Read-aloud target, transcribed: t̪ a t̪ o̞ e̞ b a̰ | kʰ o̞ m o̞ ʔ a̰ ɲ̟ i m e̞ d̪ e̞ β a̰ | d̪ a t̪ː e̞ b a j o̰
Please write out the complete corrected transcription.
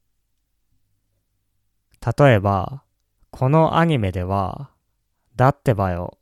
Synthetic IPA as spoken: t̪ a t̪ o̞ e̞ b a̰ | kʰ o̞ n o̞ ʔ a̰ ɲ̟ i m e̞ d̪ e̞ β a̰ | d̪ a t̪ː e̞ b a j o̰